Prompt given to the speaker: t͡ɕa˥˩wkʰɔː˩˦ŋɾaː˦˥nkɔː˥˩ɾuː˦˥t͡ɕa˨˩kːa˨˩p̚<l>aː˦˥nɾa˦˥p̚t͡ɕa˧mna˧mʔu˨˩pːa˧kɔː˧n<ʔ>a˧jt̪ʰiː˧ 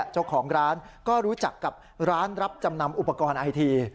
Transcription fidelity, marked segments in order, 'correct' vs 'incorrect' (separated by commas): incorrect, correct